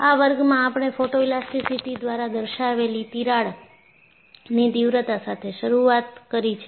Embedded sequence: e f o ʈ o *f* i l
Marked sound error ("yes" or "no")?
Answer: yes